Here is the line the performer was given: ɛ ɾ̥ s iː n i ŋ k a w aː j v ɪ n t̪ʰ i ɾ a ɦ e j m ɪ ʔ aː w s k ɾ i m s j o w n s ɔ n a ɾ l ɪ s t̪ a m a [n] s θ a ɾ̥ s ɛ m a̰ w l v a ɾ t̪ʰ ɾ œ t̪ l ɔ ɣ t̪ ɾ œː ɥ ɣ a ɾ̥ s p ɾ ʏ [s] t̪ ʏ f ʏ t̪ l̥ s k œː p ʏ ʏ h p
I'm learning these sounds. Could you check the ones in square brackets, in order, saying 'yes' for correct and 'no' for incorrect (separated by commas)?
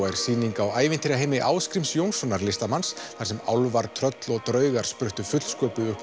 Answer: yes, no